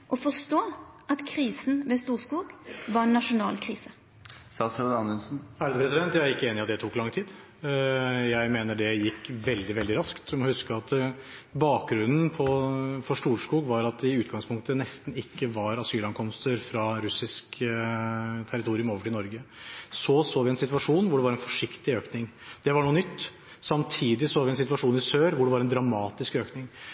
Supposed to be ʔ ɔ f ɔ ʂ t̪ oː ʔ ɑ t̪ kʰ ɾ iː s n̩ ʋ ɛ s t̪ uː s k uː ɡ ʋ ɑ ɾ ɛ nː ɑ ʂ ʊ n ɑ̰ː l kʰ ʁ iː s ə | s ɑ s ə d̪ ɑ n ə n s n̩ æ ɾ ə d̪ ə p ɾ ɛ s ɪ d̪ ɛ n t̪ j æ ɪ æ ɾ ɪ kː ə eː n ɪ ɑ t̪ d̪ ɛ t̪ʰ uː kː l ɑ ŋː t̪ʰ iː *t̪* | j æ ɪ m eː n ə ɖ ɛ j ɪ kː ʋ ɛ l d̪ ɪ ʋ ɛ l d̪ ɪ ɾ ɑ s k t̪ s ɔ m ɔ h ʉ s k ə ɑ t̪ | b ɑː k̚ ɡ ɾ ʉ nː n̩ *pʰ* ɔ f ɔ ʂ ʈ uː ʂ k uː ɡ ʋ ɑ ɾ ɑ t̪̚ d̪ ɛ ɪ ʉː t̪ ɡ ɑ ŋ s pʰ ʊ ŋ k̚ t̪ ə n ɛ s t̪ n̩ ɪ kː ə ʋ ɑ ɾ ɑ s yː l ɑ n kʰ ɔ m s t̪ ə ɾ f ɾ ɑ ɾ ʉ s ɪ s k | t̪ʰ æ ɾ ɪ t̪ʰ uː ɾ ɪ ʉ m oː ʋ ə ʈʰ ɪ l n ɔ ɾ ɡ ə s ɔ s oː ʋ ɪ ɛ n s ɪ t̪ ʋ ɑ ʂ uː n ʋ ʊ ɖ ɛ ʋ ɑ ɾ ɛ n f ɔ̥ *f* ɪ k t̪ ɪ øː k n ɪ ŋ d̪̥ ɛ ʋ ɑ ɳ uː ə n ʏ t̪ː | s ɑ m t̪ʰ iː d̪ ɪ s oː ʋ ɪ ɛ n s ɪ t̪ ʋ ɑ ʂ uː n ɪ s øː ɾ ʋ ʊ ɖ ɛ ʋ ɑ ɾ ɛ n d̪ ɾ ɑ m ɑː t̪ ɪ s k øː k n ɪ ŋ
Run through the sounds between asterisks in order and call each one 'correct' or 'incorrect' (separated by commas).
incorrect, correct, incorrect